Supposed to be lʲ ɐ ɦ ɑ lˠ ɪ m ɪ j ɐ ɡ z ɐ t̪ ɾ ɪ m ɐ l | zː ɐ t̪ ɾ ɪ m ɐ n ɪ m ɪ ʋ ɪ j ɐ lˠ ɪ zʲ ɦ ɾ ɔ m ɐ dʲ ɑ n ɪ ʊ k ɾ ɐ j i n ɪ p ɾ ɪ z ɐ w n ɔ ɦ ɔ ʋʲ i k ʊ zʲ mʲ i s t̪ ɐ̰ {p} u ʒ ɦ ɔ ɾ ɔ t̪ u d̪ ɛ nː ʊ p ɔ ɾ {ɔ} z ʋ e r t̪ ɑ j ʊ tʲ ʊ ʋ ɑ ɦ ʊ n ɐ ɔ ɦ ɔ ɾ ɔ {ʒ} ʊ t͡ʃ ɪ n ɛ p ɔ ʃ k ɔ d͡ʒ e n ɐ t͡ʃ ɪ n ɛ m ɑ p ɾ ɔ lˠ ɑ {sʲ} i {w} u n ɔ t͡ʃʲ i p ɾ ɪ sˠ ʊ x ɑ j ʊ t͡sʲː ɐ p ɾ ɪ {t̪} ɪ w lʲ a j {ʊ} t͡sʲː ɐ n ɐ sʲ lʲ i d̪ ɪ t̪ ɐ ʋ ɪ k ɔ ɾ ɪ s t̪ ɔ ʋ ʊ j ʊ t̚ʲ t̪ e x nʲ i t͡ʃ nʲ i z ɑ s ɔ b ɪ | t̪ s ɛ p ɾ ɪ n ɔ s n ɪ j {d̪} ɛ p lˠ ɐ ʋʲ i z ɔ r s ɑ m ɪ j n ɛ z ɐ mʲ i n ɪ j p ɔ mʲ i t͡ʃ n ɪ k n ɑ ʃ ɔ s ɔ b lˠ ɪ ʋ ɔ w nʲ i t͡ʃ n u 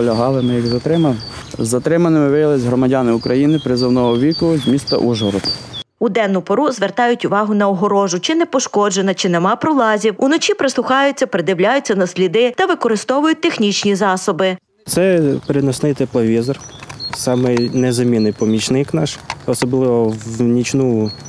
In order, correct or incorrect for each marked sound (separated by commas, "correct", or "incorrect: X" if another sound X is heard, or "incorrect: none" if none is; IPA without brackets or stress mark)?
incorrect: ʔ, incorrect: u, correct, incorrect: zʲ, correct, incorrect: d̪, correct, incorrect: t̪